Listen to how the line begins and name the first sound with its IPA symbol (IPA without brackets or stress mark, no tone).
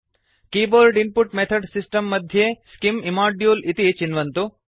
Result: k